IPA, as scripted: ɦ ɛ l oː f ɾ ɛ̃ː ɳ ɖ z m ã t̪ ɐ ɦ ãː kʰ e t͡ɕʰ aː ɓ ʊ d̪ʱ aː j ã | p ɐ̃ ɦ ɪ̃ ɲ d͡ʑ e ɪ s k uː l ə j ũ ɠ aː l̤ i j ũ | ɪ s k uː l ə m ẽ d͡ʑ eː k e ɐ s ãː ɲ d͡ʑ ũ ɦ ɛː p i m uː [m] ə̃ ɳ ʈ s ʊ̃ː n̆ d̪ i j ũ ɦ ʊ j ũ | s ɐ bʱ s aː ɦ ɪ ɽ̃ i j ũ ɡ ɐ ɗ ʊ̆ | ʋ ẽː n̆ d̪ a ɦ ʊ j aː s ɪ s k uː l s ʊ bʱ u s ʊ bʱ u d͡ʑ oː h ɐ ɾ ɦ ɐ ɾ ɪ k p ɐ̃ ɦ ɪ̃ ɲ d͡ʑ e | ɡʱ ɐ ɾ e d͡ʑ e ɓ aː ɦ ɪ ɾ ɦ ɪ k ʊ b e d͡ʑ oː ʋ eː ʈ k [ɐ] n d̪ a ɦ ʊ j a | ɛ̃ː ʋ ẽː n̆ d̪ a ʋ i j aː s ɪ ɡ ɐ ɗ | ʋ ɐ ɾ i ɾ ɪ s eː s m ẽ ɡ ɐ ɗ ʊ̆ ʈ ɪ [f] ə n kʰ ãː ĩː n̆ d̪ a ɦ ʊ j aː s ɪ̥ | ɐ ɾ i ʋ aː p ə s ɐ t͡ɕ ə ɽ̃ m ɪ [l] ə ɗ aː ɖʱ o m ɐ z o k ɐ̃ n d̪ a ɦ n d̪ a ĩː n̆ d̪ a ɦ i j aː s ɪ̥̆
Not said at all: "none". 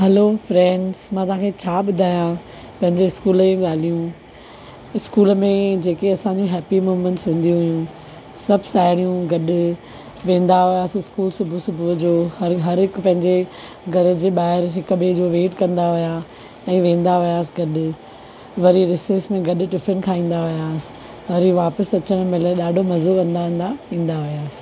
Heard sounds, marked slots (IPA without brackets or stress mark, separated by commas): m, ɐ̃, f, l